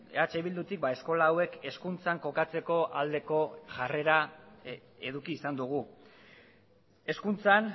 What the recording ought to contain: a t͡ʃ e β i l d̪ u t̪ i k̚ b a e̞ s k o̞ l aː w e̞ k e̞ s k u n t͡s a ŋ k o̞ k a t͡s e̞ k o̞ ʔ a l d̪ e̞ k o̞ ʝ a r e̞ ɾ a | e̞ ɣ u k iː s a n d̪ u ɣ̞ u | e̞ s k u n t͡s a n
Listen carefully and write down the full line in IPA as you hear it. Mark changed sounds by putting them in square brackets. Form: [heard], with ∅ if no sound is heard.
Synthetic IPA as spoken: a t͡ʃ e β i l d̪ u t̪ i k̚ b a e̞ s k o̞ l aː w e̞ k e̞ s k u n t͡s a ŋ k o̞ k a t͡s e̞ k o̞ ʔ a l d̪ e̞ k o̞ ʝ a r e̞ ɾ a | e̞ [ð] u k iː s a n d̪ u ɣ̞ u | e̞ s k u n t͡s a n